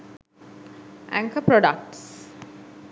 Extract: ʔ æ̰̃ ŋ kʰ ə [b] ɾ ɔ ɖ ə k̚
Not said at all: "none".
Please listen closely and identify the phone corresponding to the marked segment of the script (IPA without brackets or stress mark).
p